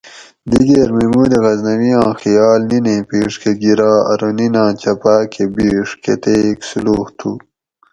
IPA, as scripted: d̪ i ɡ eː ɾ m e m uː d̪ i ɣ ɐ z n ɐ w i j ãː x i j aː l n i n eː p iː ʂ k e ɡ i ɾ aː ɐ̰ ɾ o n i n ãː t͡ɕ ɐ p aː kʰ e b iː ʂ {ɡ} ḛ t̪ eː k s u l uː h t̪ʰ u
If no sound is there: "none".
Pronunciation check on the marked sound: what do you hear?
k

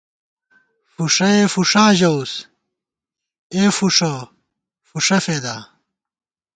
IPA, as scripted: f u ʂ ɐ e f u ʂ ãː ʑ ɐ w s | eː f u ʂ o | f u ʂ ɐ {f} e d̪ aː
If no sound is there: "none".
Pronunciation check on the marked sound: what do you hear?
f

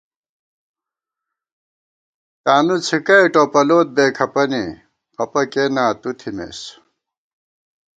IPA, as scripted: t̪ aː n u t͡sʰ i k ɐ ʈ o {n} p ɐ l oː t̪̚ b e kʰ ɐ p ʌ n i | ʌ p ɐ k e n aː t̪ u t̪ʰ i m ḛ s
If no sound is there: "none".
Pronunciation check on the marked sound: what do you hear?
none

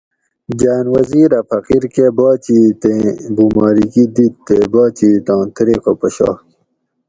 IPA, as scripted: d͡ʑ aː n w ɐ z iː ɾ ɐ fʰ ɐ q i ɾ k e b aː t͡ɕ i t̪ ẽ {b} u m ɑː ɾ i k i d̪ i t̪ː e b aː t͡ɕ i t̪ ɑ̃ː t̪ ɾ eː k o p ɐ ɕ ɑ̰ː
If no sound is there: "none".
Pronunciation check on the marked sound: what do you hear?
b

